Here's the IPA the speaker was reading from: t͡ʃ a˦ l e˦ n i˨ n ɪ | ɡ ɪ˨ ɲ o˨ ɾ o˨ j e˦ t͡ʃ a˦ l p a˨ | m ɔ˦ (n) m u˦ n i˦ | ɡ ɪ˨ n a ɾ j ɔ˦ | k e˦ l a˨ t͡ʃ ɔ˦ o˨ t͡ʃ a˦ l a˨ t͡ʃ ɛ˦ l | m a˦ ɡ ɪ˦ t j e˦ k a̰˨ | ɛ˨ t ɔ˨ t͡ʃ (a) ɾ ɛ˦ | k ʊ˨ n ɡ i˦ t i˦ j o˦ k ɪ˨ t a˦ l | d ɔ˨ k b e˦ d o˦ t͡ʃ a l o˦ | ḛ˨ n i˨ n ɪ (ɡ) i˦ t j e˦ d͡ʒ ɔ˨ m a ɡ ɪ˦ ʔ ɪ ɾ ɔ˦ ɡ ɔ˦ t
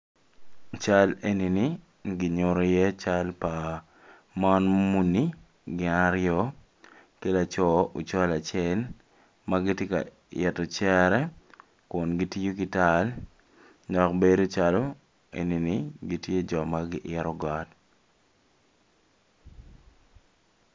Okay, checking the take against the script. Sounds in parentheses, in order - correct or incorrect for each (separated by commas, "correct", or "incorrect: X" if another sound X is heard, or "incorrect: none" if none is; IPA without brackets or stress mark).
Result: correct, incorrect: ɛ, correct